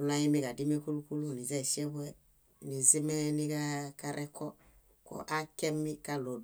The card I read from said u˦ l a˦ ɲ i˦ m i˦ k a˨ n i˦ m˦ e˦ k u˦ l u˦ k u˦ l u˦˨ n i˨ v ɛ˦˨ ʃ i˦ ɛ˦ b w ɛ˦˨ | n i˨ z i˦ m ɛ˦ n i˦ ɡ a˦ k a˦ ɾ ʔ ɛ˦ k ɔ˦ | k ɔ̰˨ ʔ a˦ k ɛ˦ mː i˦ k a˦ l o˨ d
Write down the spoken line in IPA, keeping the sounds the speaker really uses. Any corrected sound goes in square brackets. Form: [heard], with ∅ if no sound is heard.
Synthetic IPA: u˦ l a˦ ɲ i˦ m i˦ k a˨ [d] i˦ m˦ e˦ k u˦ l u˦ k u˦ l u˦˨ n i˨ [z] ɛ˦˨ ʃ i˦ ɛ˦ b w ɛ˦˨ | n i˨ z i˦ m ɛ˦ n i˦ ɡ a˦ k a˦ ɾ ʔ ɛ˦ k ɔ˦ | k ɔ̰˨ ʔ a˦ k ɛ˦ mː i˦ k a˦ l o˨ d